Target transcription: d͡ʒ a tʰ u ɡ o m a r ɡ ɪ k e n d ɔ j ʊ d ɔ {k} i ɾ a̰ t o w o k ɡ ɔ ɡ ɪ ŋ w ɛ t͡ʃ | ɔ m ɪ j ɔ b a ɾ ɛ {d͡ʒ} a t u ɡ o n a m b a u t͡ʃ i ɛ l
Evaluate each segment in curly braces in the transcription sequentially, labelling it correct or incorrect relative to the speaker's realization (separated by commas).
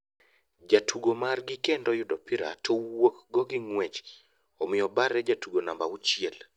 incorrect, correct